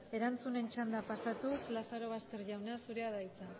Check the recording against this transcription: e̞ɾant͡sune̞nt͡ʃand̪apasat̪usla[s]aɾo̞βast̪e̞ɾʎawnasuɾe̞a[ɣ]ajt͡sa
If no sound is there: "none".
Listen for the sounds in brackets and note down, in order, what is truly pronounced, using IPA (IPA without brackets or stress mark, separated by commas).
s, ð